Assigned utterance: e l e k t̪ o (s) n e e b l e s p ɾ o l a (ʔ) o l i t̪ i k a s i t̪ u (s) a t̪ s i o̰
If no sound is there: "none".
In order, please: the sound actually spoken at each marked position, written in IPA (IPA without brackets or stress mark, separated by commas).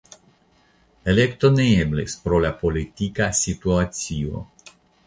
none, p, none